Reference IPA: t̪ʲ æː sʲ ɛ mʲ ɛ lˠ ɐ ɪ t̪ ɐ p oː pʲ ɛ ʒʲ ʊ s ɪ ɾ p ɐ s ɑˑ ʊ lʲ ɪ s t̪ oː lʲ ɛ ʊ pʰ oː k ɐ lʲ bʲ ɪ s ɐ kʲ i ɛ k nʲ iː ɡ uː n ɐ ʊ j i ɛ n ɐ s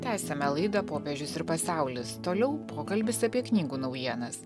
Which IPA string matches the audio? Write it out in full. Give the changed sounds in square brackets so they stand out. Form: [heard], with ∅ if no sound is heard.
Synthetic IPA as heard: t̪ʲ æː sʲ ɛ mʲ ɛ lˠ ɐ ɪ [d̪] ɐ p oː pʲ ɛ ʒʲ ʊ s ɪ ɾ p ɐ s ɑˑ ʊ lʲ ɪ s t̪ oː lʲ ɛ ʊ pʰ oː k ɐ lʲ bʲ ɪ s ɐ [pʲ] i ɛ k nʲ iː ɡ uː n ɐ ʊ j i ɛ n ɐ s